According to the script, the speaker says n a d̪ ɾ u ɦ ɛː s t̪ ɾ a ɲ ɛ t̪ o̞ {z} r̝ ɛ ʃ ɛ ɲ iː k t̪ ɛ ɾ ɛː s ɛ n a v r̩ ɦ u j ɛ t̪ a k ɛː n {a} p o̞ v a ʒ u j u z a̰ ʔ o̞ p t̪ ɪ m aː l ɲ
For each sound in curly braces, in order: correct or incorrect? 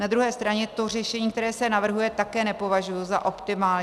incorrect, incorrect

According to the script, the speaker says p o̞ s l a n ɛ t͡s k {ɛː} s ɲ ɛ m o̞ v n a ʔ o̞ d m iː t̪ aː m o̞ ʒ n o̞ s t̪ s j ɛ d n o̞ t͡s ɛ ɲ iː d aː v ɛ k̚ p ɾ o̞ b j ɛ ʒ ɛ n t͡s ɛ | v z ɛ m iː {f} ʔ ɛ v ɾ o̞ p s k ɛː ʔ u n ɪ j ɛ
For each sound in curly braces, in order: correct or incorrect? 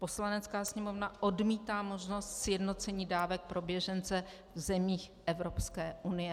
incorrect, incorrect

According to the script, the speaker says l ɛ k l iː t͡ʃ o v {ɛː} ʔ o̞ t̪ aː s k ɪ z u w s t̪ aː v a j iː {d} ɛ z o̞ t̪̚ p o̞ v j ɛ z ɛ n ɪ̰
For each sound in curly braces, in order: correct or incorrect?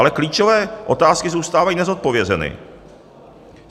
correct, incorrect

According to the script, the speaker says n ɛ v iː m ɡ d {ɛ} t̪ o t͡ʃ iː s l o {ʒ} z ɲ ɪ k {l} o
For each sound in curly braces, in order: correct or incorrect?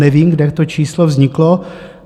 correct, incorrect, correct

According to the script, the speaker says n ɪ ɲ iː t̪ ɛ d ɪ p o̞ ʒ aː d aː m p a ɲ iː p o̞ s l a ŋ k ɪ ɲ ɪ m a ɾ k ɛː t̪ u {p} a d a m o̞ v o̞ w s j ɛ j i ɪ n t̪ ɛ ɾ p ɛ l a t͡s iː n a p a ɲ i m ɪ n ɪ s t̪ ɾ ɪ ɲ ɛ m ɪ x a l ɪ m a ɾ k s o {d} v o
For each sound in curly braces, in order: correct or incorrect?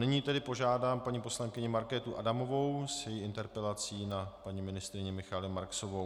incorrect, incorrect

